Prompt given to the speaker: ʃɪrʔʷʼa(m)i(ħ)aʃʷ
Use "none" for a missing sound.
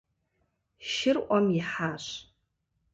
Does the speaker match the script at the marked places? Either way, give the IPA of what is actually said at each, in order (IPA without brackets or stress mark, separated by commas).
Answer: m, ħ